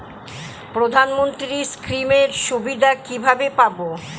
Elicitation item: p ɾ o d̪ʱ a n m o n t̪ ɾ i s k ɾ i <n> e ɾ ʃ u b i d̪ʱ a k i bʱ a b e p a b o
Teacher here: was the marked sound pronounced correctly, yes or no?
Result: no